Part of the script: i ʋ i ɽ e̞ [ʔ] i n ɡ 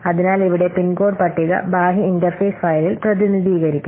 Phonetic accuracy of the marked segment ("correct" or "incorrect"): incorrect